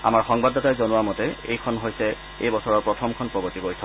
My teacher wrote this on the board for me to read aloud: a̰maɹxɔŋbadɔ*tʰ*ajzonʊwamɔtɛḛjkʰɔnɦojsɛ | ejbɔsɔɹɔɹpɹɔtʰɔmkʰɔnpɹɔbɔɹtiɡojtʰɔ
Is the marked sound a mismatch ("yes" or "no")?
yes